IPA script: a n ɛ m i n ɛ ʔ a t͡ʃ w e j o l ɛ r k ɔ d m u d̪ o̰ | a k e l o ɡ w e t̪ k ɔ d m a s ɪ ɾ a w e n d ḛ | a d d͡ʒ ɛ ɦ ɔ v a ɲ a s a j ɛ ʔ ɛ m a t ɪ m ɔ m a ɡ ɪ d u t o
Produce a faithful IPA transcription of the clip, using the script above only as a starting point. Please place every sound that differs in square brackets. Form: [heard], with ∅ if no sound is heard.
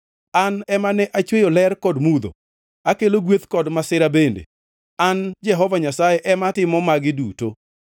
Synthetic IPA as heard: a n ɛ m [a] n ɛ ʔ a t͡ʃ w e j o l ɛ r k ɔ d m u d̪ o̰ | a k e l o ɡ w e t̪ k ɔ d m a s ɪ ɾ a [b] e n d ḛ | a [n] d͡ʒ ɛ ɦ ɔ v a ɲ a s a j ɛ ʔ ɛ m a t ɪ m ɔ m a ɡ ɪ d u t o